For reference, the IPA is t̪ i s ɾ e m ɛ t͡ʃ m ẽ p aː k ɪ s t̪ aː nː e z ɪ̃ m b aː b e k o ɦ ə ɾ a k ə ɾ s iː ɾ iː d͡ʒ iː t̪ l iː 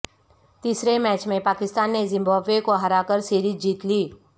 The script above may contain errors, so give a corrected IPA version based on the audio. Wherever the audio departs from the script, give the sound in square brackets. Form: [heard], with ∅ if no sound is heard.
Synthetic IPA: t̪ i s ɾ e m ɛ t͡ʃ m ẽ p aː k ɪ s t̪ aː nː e z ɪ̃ m b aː b e k o ɦ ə ɾ a k ə ɾ s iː ɾ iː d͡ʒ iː t̪ l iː